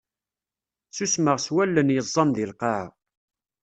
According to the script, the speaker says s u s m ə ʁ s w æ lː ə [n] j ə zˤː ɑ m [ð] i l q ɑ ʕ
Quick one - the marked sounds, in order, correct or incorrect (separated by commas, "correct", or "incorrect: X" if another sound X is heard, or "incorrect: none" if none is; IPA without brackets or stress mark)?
correct, correct